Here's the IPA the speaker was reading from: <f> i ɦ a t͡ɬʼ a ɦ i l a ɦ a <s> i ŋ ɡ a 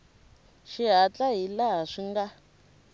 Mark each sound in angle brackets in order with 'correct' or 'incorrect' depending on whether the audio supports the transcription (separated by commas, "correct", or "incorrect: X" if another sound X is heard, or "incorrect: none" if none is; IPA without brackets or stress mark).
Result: incorrect: ʃ, incorrect: ʂ